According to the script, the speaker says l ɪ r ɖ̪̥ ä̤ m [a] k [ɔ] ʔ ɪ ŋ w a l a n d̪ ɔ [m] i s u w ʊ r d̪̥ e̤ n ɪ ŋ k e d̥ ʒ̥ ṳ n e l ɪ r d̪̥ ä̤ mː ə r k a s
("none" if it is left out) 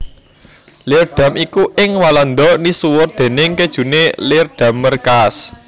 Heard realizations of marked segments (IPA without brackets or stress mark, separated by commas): i, u, n